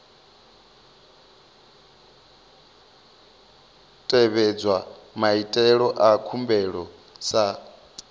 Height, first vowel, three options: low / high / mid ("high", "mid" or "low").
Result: mid